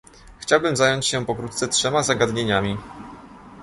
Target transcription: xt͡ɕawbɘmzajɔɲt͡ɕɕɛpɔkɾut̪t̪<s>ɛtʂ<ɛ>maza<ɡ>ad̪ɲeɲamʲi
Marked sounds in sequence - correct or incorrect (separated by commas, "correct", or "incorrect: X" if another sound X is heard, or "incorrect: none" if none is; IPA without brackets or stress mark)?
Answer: correct, correct, correct